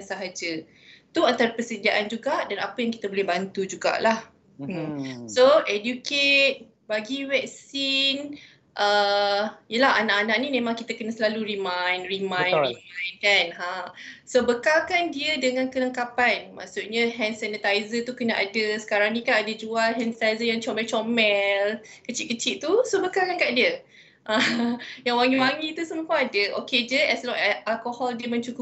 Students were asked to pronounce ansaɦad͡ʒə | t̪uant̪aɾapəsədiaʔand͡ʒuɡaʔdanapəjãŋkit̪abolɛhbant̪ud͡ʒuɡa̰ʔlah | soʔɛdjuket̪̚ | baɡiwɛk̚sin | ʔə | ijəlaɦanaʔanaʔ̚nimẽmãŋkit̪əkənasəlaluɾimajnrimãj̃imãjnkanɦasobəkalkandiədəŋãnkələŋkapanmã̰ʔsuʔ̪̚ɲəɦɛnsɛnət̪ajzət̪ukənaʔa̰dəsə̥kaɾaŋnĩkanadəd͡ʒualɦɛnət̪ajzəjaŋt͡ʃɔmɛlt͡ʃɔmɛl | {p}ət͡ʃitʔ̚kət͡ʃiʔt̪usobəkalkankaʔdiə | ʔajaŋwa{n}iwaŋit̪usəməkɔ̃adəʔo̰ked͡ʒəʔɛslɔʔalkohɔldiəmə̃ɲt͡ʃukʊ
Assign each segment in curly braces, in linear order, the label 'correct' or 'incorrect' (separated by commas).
incorrect, incorrect